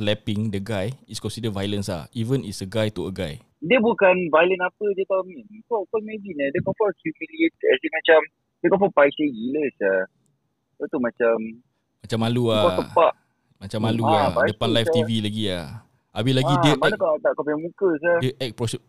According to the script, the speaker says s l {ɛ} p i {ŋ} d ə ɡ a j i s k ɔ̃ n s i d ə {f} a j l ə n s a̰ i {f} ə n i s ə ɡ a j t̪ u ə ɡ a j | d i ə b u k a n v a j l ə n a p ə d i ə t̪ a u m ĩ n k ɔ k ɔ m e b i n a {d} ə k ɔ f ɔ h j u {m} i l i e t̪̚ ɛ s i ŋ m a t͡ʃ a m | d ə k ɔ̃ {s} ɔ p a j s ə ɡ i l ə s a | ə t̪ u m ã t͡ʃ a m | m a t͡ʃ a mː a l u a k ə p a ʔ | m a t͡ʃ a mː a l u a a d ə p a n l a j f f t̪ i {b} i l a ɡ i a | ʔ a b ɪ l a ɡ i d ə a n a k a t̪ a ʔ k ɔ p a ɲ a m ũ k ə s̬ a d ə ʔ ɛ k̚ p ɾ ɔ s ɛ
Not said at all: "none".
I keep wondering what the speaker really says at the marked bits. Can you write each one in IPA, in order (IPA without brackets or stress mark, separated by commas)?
ɛ, ŋ, v, v, d, m, f, v